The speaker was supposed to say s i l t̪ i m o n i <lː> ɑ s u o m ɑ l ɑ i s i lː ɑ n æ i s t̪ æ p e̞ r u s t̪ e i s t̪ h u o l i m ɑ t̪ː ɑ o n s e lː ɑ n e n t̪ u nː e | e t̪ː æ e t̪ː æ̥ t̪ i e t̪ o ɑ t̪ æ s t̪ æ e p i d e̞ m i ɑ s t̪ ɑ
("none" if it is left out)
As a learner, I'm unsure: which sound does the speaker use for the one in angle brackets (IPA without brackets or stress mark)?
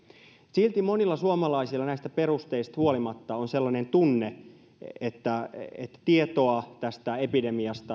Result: lː